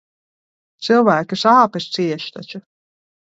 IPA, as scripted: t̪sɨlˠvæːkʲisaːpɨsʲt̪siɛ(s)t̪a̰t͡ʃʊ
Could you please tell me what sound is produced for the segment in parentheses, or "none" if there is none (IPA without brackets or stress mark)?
ʃ